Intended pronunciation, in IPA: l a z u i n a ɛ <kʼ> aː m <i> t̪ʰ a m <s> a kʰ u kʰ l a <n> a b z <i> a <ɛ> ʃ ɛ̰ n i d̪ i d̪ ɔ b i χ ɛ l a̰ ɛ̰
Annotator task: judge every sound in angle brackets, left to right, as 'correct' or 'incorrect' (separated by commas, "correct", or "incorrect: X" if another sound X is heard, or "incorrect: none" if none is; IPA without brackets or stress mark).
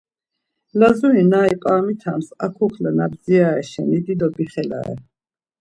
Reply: incorrect: pʼ, correct, correct, correct, correct, correct